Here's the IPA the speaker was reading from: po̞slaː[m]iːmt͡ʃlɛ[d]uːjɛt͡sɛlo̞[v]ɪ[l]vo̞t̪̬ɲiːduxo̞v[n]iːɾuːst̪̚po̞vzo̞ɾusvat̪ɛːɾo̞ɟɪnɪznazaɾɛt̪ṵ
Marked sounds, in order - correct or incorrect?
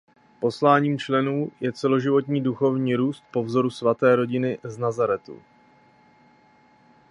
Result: incorrect, incorrect, incorrect, incorrect, incorrect

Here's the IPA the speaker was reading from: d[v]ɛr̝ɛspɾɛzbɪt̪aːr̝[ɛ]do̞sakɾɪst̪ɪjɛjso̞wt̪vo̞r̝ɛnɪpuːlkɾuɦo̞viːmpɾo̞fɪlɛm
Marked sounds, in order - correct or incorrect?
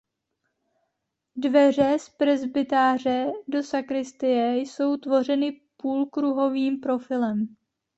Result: correct, correct

